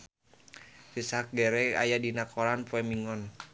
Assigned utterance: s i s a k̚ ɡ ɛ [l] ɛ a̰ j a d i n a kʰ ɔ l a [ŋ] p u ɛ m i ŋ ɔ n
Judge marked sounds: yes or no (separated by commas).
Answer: no, no